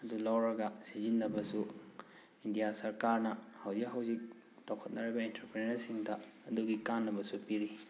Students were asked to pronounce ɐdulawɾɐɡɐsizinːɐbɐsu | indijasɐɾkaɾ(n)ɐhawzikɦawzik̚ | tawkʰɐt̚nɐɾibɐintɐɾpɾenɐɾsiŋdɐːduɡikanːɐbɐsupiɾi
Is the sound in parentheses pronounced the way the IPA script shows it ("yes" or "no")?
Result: yes